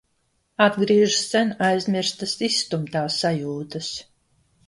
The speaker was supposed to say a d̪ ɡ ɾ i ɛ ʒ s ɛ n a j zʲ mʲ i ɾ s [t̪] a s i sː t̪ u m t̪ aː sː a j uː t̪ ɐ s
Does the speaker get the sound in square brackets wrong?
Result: no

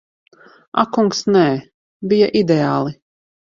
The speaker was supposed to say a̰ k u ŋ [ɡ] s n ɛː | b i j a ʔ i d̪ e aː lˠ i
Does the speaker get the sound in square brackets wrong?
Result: yes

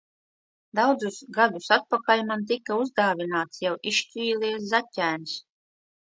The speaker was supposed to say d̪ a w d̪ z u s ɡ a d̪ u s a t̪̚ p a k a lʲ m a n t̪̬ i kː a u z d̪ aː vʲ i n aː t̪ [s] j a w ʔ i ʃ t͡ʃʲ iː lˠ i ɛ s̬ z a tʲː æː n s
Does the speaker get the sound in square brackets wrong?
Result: no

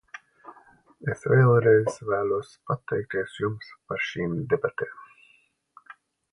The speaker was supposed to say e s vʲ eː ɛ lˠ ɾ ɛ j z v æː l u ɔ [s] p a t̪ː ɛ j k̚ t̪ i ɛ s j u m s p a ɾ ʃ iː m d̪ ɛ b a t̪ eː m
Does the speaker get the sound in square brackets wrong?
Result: no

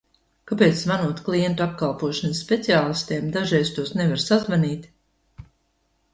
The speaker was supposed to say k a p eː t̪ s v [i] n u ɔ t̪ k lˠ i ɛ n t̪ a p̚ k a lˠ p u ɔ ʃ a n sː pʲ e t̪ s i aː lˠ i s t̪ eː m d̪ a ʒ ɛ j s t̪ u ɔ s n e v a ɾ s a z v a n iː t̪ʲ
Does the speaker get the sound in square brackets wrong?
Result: yes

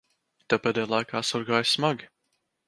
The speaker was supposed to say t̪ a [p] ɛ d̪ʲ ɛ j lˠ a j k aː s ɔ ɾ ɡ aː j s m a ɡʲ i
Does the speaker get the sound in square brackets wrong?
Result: no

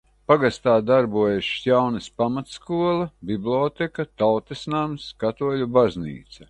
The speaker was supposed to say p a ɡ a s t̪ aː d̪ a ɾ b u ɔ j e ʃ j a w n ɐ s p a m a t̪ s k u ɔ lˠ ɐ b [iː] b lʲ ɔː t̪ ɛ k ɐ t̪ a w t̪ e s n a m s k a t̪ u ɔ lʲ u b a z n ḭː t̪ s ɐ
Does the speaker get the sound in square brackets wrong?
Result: yes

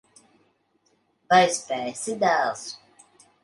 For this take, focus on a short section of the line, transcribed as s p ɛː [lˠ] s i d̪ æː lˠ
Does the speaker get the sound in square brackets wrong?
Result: yes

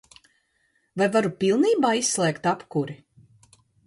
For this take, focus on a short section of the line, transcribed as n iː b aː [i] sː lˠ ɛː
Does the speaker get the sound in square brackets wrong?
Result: no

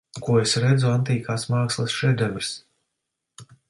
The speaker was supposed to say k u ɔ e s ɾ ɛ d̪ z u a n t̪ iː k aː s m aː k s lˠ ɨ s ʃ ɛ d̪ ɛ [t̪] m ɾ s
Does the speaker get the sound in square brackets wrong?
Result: yes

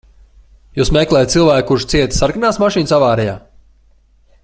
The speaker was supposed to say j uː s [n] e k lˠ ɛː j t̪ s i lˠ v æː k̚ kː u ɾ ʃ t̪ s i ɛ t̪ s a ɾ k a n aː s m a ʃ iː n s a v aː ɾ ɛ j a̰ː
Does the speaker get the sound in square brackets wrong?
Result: yes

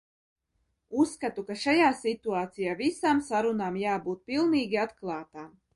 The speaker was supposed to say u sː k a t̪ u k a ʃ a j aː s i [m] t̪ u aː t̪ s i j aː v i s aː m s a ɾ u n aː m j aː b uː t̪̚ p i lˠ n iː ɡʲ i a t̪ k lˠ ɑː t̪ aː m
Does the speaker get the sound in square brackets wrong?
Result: yes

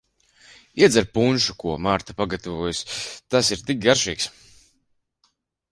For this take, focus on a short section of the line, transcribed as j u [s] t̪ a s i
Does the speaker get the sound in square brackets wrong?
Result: no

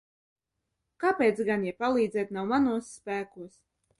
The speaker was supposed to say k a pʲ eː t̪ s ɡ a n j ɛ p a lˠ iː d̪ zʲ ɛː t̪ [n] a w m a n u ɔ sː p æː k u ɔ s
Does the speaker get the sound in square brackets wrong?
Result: no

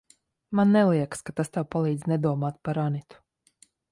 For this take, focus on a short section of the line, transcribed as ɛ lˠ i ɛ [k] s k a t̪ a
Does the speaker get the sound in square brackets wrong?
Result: no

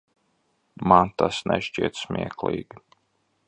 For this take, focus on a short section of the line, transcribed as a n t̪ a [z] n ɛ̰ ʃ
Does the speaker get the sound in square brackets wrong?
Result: yes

